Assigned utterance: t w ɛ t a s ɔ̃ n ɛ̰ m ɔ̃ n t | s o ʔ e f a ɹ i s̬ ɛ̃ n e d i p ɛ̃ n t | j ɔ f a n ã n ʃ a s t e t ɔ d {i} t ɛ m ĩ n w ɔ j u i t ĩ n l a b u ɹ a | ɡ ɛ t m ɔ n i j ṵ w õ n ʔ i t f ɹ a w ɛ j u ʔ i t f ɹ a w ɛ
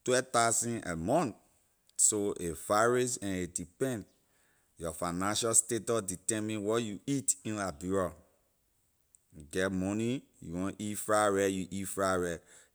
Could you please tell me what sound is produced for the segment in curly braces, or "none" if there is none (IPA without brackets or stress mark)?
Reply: i